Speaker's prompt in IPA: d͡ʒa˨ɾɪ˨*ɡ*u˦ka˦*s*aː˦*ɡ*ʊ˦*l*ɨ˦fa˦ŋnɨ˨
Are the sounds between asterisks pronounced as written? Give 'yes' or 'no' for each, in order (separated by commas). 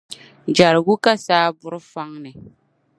yes, yes, no, no